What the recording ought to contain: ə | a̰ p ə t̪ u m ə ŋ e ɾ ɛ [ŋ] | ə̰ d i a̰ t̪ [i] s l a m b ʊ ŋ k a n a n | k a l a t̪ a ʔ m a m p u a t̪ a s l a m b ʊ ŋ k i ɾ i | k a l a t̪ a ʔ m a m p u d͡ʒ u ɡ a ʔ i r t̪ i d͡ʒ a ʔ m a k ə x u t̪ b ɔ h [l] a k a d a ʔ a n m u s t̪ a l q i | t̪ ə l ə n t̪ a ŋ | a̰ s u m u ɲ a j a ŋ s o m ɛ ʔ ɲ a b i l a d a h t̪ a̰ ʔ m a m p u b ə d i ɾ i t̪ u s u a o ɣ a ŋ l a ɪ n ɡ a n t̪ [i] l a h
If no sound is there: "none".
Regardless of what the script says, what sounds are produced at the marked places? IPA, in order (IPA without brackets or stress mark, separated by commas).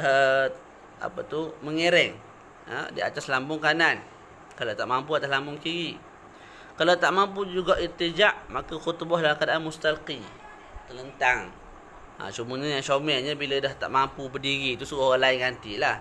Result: ŋ, a, l, i